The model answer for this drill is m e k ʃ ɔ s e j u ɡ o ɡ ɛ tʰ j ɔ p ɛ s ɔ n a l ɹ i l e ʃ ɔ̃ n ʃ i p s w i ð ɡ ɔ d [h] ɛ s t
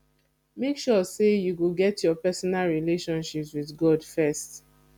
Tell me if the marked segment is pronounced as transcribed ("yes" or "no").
no